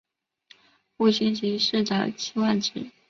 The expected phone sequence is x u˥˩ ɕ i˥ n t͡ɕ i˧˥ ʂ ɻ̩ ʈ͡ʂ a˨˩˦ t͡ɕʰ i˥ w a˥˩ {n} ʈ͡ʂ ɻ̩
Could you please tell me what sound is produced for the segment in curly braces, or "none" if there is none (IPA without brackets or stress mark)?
n